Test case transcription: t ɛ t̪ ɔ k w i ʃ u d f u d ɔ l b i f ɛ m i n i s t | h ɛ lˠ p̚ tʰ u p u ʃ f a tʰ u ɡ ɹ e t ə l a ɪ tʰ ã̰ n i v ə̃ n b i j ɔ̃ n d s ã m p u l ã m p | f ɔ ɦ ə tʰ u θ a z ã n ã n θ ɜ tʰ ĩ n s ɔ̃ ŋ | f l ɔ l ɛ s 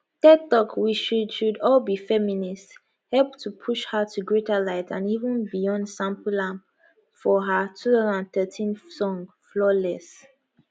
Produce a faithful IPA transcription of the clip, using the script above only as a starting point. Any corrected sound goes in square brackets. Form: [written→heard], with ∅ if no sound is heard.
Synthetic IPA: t ɛ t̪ ɔ k w i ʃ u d [f→ʃ] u d ɔ l b i f ɛ m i n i s t | h ɛ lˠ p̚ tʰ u [p→pʰ] u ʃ [f→h] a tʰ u ɡ ɹ e t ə l a ɪ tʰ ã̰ n i v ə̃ n b i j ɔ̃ n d s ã m p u l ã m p | f ɔ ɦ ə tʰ u θ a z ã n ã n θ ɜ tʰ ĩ n s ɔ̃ ŋ | f l ɔ l ɛ s